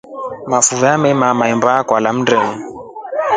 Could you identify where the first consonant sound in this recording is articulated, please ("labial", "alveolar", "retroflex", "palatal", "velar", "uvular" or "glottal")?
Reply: labial